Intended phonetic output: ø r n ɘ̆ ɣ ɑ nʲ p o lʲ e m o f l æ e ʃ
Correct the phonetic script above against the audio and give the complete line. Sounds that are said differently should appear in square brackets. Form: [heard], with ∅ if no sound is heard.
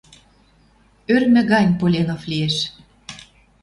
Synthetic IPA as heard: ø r [m] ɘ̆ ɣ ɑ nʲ p o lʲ e [n] o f l [i] e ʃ